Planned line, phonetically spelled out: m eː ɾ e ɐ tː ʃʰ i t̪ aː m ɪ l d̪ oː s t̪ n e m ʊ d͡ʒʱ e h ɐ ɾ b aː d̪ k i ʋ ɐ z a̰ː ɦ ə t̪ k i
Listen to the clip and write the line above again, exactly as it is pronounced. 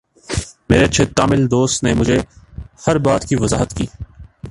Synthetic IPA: m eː ɾ e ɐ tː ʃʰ e t̪ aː m ɪ l d̪ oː s t̪ n e m ʊ d͡ʒʱ e h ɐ ɾ b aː t̪ k i ʋ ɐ z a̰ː ɦ ə t̪ k iː

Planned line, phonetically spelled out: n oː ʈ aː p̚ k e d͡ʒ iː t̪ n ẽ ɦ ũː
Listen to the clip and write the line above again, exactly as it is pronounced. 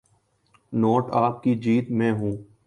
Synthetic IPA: n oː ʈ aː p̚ k i d͡ʒ iː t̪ m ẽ ɦ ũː

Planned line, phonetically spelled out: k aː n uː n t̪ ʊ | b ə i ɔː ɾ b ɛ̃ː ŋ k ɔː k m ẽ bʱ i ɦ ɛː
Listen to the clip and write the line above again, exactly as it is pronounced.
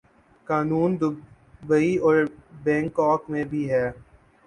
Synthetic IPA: k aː n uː n d̪ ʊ | b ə i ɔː ɾ b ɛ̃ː ŋ k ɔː k m ẽ bʱ i ɦ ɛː

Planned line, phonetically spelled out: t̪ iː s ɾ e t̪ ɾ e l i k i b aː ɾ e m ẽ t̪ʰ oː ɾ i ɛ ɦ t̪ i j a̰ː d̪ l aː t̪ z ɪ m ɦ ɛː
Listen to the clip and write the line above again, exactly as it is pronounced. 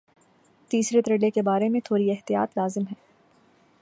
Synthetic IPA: t̪ iː s ɾ e t̪ ɾ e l e k e b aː ɾ e m ẽ t̪ʰ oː ɾ i ɛ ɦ t̪ i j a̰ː t̪ l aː z ɪ m ɦ ɛː

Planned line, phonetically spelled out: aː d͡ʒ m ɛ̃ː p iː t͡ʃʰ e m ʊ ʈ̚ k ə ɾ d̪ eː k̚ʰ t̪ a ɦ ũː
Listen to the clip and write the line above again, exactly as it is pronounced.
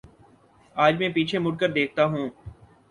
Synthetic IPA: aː d͡ʒ m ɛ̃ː p iː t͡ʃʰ e m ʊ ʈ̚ k ə ɾ d̪ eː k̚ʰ t̪ a ɦ ũː

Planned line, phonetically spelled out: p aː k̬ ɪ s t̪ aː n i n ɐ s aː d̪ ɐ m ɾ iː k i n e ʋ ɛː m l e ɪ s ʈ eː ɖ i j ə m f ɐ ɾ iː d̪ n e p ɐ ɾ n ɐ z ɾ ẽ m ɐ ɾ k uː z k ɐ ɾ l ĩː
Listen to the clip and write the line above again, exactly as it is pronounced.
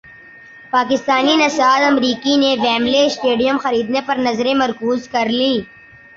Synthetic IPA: p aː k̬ ɪ s t̪ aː n i n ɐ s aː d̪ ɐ m ɾ iː k i n e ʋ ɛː m l e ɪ s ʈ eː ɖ i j ə m x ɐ ɾ iː d̪ n e p ɐ ɾ n ɐ z ɾ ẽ m ɐ ɾ k uː z k ɐ ɾ l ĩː

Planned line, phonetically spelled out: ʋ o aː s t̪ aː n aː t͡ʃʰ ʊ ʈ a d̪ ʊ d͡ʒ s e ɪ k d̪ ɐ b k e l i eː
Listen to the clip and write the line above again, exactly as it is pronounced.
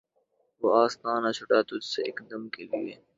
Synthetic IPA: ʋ o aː s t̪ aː n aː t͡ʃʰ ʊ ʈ a t̪ ʊ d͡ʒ s e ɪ k d̪ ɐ m k e l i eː

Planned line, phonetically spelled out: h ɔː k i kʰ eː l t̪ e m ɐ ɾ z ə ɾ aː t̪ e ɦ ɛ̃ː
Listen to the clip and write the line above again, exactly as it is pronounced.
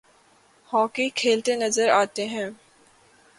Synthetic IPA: h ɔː k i kʰ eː l t̪ e n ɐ z ə ɾ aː t̪ e ɦ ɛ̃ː

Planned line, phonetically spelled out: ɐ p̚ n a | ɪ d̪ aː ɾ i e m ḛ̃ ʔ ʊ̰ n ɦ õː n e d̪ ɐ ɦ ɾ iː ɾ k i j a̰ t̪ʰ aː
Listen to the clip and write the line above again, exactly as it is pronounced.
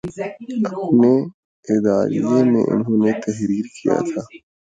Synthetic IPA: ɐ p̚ n e | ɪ d̪ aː ɾ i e m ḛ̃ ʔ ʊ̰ n ɦ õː n e t̪ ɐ ɦ ɾ iː ɾ k i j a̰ t̪ʰ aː

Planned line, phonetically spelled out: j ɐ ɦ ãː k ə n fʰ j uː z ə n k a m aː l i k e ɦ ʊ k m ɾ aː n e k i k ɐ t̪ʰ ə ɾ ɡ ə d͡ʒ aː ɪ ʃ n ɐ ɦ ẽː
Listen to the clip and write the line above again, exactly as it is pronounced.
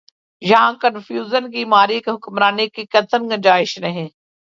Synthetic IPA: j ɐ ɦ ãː k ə n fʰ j uː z ə n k i m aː ɾ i k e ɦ ʊ k m ɾ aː n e k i k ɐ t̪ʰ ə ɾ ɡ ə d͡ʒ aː ɪ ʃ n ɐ ɦ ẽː

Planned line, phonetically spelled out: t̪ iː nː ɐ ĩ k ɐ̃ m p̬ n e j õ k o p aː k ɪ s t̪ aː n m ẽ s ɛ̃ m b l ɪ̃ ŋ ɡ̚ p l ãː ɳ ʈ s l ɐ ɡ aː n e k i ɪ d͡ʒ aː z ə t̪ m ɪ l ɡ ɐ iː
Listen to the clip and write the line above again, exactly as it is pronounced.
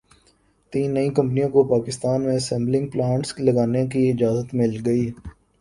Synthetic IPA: t̪ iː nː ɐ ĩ k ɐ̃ m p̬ n i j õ k o p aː k ɪ s t̪ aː n m ẽ s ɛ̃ m b l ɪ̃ ŋ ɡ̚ p l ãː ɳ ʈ s l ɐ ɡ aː n e k i ɪ d͡ʒ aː z ə t̪ m ɪ l ɡ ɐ iː

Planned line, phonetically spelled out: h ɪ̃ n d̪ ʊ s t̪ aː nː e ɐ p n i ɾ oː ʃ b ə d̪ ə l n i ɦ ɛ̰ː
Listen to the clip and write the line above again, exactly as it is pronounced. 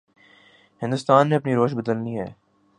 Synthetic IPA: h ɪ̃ n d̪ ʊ s t̪ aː nː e ɐ p n i ɾ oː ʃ b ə d̪ ə l n i ɦ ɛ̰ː

